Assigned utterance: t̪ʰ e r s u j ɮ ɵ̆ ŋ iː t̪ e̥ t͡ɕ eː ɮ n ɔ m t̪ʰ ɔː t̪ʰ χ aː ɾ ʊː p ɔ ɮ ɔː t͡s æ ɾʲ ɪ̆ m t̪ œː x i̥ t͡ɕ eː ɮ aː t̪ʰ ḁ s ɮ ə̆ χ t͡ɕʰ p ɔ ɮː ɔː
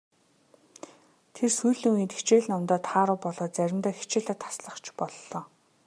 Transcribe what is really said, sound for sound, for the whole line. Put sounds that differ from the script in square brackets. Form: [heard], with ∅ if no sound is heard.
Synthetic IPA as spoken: t̪ʰ e r s u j ɮ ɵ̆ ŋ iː t̪ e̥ t͡ɕ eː ɮ n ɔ m [t̪] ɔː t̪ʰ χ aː ɾ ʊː p ɔ ɮ ɔː t͡s æ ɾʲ ɪ̆ m t̪ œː x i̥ t͡ɕ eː ɮ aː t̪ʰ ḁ s ɮ ə̆ χ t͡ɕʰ p ɔ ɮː ɔː